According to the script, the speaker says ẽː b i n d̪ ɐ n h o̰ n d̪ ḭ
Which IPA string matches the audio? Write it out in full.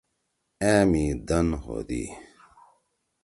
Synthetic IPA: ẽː m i d̪ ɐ n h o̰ d̪ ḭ